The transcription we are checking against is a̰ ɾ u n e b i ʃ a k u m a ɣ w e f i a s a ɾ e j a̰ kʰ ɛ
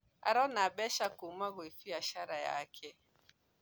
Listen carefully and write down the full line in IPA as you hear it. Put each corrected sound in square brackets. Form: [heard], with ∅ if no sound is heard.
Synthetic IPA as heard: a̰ ɾ [ɔ] n [a] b [ɛ] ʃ a k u m a ɣ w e f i a [ʃ] a ɾ [a] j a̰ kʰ ɛ